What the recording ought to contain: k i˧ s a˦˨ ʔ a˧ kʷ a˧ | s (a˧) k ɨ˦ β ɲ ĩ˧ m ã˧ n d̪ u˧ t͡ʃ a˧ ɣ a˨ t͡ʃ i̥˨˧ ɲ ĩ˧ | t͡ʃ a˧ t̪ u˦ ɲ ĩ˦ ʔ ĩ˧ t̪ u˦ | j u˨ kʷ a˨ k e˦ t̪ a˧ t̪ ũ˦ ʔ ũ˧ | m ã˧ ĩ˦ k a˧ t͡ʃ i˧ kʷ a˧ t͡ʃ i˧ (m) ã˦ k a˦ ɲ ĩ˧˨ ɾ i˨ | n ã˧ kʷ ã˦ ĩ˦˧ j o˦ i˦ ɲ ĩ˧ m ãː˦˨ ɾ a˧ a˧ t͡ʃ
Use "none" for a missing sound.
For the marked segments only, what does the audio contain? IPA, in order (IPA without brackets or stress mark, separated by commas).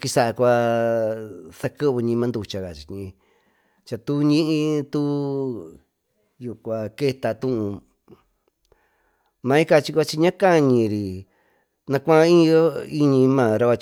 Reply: a˧, ɲ